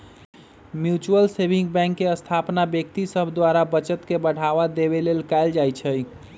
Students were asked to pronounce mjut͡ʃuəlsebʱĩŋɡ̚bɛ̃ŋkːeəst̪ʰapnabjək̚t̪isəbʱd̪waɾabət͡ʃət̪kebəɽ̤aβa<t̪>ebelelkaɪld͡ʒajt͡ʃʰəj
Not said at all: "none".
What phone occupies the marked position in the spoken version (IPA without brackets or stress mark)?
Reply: d̪